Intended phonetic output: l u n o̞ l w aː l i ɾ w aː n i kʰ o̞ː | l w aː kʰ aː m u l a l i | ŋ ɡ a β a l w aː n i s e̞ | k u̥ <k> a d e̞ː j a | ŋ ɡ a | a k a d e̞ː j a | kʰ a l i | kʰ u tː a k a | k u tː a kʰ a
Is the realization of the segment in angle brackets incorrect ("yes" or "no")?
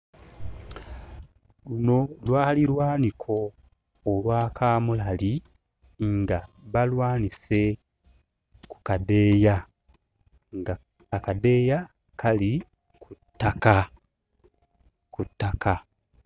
no